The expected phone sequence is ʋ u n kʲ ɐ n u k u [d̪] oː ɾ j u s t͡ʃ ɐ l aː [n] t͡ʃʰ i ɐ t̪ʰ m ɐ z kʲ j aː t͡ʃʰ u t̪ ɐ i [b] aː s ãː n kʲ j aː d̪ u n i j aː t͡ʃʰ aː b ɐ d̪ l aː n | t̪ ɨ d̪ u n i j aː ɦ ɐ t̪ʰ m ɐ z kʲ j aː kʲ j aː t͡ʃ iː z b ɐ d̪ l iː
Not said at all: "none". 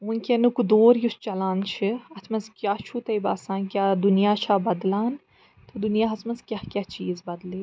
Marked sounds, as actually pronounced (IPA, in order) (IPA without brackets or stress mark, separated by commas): d̪, n, b